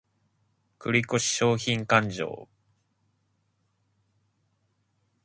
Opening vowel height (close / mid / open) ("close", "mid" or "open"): close